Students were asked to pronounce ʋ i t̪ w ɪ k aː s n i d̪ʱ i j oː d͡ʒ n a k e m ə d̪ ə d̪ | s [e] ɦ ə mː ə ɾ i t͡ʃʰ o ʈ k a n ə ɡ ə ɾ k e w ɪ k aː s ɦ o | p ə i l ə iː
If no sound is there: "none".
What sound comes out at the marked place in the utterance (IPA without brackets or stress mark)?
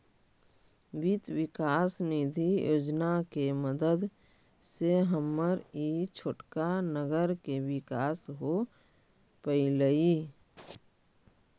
e